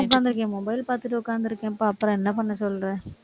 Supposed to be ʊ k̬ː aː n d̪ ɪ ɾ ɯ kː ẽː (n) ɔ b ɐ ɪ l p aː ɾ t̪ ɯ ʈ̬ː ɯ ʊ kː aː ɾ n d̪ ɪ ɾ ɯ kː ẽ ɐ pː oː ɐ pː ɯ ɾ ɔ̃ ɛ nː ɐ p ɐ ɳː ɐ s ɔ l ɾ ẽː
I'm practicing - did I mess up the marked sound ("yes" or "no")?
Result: yes